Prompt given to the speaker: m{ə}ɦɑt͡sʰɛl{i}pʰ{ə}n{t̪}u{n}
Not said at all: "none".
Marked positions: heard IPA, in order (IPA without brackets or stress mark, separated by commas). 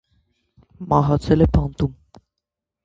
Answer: ɑ, ɛ, ɑ, t̪, m